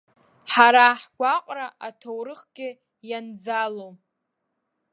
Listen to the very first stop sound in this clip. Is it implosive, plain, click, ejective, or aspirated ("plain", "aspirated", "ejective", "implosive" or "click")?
plain